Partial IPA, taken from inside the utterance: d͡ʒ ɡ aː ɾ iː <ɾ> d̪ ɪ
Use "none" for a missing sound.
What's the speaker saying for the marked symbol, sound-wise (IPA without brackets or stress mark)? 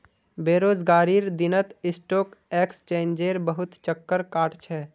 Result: ɾ